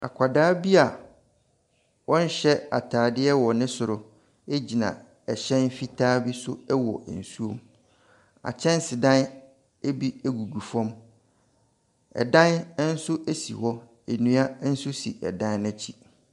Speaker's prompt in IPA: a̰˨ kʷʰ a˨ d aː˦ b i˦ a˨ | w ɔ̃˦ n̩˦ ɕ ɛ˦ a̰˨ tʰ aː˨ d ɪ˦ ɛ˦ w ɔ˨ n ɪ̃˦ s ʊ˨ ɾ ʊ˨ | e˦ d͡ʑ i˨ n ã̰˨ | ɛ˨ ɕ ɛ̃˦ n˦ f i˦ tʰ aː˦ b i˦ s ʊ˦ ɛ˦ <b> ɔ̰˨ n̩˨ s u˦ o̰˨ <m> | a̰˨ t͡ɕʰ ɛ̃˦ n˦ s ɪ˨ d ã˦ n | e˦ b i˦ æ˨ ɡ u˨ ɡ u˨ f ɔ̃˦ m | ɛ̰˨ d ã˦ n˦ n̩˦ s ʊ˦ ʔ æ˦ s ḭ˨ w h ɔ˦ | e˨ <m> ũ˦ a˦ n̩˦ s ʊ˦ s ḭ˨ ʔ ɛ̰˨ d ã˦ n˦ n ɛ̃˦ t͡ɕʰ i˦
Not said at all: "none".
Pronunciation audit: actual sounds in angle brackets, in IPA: w, m, n

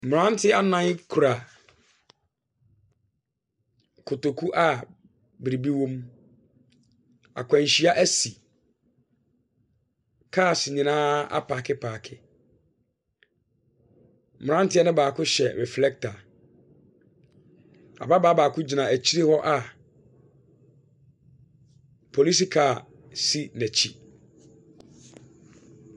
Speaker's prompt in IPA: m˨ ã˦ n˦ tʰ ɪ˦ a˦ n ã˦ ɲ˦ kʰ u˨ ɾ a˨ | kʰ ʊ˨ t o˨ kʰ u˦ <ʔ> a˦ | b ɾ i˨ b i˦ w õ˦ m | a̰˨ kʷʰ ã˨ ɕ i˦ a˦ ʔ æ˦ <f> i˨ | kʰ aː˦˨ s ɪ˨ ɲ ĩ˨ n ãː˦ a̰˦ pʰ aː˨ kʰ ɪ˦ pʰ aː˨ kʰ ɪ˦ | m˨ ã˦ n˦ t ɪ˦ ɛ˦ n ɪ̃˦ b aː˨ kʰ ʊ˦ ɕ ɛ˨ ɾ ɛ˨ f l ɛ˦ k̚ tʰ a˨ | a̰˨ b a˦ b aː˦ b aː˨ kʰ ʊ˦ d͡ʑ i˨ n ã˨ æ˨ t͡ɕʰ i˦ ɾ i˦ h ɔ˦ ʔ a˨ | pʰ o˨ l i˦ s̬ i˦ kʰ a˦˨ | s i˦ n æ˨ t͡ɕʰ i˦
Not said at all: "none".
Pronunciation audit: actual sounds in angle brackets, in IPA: ʔ, s

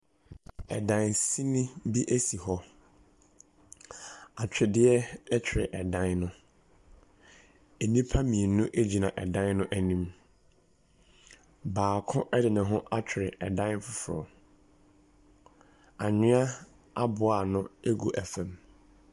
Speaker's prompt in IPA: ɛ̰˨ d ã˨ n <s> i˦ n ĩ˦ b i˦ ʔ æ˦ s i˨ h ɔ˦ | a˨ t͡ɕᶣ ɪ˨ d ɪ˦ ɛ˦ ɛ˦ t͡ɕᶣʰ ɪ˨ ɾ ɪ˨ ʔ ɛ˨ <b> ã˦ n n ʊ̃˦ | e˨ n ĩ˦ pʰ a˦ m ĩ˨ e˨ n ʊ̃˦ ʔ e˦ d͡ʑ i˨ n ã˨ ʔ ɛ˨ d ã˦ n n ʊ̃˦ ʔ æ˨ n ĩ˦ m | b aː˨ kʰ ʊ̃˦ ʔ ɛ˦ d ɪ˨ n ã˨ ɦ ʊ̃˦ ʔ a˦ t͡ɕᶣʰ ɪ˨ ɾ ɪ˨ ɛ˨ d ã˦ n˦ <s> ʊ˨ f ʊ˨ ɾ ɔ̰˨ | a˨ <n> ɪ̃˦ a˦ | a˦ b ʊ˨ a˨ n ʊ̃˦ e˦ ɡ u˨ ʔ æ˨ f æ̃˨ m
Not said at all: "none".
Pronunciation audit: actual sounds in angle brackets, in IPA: s, d, f, ɲ

